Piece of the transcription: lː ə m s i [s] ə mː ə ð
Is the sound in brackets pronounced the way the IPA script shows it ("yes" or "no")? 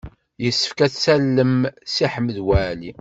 no